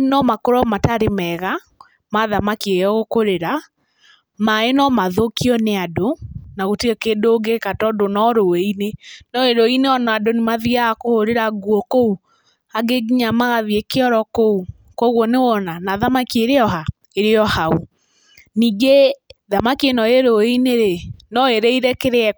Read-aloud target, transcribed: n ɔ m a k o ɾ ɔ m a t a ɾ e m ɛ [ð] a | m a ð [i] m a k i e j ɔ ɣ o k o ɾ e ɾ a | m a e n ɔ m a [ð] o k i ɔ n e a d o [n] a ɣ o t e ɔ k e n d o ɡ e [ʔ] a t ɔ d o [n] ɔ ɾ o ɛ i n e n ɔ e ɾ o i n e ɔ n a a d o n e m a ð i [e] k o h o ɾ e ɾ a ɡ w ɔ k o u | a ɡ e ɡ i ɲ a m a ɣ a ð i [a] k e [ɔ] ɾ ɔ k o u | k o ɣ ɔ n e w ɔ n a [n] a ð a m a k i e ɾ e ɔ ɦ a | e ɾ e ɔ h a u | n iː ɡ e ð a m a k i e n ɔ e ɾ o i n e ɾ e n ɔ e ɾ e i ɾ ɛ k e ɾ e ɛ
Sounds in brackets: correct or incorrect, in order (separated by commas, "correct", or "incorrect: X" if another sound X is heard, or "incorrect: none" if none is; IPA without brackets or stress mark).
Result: incorrect: ɣ, incorrect: a, correct, correct, incorrect: k, correct, incorrect: a, incorrect: e, correct, correct